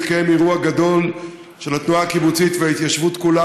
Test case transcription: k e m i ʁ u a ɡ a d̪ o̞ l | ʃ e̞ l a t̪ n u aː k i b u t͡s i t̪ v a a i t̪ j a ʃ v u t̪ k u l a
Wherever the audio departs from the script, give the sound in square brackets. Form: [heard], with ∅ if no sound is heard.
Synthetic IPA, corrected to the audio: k e m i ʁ u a ɡ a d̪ o̞ l | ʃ e̞ l a t̪ n u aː k i b u t͡s i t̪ v [e] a i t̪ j a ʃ v u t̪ k u l a